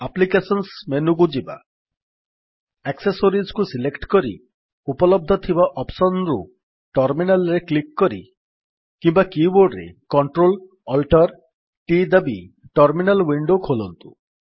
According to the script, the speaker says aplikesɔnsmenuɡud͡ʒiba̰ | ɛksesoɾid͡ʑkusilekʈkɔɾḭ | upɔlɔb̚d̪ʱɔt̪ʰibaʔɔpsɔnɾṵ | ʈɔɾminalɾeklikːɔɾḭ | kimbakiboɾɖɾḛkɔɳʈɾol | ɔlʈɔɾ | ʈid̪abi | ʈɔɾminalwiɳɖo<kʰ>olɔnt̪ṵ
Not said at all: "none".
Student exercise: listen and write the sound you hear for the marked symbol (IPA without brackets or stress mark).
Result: kʰ